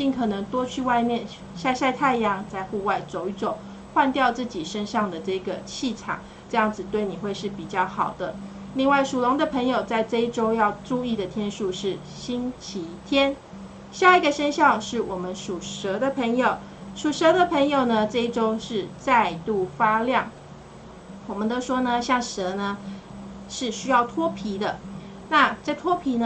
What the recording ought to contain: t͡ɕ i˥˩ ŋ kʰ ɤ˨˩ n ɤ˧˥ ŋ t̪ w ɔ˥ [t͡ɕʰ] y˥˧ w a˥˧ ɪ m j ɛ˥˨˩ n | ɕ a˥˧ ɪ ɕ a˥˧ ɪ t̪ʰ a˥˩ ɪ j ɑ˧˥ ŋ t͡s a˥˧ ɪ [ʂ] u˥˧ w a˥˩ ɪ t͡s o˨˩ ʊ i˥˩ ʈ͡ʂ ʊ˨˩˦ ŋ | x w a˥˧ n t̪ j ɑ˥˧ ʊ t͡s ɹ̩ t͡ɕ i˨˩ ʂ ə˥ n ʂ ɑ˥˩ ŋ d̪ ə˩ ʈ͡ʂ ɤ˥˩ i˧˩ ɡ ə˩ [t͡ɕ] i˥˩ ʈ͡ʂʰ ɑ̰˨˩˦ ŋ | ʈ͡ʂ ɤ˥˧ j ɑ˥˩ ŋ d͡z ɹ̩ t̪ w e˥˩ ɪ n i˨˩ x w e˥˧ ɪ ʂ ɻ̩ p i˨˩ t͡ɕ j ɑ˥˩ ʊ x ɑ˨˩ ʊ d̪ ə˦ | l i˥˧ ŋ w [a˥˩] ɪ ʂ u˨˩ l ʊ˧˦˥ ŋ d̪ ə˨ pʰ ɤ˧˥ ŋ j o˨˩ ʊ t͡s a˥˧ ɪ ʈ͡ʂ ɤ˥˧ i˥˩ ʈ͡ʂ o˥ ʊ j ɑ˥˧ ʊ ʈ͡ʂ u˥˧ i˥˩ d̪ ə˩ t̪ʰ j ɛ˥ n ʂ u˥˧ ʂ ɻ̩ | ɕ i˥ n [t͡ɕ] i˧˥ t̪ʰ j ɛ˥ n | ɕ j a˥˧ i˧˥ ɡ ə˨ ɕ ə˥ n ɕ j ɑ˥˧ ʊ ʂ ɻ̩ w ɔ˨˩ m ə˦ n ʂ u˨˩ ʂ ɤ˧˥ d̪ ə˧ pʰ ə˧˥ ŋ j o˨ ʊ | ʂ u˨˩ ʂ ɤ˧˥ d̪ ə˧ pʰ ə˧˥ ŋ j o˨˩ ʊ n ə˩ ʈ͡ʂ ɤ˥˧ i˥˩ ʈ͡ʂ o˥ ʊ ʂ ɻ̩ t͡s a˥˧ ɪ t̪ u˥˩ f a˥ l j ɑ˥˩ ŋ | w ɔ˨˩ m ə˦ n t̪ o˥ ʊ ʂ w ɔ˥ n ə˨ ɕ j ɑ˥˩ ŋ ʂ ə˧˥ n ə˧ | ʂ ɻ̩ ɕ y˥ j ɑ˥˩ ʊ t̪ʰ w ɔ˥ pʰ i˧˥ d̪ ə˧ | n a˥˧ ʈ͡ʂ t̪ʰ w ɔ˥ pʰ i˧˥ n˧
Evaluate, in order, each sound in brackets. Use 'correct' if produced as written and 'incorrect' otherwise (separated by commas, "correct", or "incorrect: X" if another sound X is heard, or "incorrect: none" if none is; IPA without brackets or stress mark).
correct, incorrect: x, incorrect: t͡ɕʰ, correct, incorrect: t͡ɕʰ